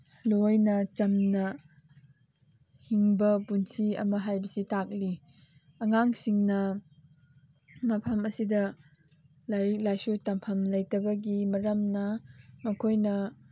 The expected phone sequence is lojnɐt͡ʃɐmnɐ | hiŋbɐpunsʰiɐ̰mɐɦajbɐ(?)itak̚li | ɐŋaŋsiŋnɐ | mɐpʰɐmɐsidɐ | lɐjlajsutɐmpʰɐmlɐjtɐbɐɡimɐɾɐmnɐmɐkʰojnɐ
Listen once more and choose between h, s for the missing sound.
s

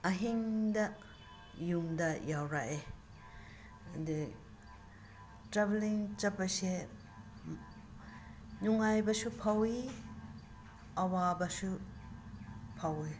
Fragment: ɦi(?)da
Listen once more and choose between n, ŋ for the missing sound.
ŋ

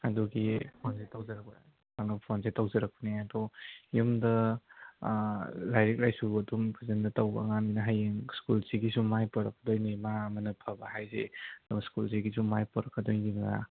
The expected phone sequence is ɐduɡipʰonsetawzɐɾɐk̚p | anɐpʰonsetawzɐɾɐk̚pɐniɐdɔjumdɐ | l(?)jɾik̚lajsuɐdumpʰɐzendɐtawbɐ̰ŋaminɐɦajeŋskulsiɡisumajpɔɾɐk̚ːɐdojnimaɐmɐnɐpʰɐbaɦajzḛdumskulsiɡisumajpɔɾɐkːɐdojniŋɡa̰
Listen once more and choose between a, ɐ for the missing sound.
a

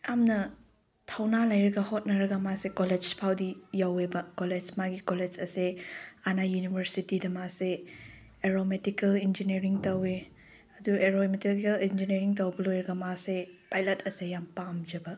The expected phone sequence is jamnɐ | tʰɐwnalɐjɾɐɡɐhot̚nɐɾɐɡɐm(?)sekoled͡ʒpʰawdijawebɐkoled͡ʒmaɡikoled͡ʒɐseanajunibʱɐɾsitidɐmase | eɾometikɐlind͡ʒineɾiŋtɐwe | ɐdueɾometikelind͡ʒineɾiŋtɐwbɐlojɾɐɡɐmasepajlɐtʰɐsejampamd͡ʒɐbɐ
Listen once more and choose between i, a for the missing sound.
a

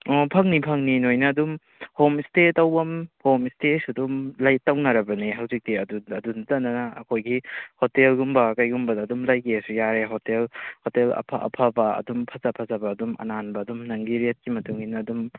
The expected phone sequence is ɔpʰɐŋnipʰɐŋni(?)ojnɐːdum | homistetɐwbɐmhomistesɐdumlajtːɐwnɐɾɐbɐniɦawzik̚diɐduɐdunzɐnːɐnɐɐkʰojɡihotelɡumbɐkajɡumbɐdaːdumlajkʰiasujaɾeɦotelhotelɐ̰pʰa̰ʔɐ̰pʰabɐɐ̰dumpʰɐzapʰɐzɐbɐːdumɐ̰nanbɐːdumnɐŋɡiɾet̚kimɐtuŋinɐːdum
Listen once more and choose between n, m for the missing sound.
n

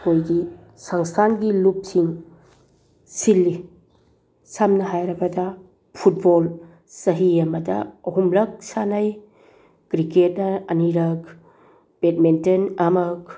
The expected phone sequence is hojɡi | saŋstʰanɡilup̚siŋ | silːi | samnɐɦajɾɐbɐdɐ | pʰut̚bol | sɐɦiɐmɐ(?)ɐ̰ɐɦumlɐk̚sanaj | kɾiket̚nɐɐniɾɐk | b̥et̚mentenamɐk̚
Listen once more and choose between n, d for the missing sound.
d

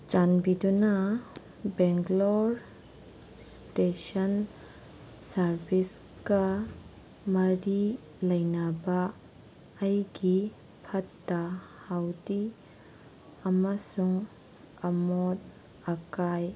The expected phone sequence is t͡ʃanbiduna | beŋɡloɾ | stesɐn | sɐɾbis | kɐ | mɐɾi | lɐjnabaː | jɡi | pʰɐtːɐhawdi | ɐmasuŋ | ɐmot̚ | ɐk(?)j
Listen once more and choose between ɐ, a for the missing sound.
a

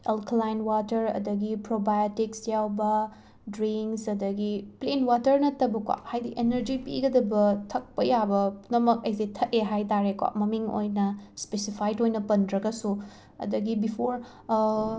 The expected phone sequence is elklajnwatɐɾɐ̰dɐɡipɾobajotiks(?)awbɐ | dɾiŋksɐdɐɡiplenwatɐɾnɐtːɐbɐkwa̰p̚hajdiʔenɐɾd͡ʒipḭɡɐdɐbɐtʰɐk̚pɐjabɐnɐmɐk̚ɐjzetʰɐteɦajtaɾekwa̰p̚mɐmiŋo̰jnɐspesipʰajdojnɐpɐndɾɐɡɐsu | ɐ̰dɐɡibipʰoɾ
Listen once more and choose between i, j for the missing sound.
j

